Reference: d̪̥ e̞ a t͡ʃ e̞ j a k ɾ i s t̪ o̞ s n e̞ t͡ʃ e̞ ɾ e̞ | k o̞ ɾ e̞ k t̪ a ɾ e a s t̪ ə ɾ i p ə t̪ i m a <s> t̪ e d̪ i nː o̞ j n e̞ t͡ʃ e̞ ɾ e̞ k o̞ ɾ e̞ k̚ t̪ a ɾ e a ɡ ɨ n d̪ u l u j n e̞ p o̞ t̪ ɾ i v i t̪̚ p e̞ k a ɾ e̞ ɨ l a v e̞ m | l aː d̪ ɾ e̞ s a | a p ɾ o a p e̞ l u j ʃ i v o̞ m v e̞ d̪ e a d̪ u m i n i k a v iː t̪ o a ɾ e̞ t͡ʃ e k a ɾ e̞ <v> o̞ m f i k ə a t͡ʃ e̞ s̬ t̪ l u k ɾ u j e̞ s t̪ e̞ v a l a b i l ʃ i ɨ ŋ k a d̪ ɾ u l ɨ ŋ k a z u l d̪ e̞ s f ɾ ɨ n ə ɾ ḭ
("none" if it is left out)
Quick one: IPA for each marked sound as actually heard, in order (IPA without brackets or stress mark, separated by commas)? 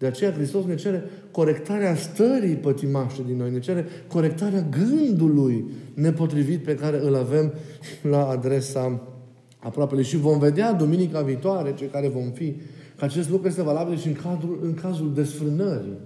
ʃ, v